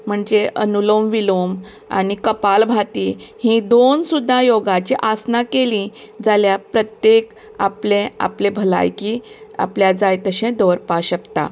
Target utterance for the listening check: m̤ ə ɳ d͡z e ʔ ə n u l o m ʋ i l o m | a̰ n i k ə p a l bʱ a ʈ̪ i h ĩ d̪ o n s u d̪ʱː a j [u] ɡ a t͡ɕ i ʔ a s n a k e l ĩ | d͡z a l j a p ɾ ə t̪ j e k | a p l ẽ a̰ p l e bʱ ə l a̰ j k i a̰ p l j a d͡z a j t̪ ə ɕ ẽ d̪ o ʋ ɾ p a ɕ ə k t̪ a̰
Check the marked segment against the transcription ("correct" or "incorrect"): incorrect